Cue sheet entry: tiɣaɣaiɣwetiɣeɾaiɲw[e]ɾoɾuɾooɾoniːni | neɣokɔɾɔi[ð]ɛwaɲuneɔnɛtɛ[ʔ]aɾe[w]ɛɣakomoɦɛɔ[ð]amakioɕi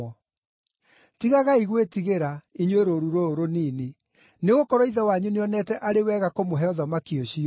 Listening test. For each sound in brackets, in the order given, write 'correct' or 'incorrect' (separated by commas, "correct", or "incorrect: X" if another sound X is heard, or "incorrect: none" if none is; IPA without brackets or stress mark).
correct, correct, correct, correct, correct